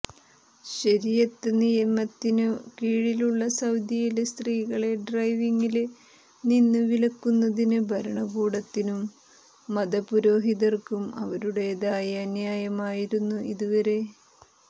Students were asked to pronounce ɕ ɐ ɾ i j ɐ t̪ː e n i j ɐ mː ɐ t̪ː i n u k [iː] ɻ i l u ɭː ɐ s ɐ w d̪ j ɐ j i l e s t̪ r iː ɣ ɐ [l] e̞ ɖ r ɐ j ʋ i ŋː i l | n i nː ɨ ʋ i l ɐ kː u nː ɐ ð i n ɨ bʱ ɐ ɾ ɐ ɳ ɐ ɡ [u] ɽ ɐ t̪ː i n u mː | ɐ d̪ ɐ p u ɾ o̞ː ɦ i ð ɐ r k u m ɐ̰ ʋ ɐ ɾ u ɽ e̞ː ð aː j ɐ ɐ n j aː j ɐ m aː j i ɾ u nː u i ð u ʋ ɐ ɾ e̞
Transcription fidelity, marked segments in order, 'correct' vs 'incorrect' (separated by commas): correct, incorrect, incorrect